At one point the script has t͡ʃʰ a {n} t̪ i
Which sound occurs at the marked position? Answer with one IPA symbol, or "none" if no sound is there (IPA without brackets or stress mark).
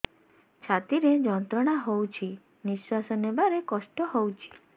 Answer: none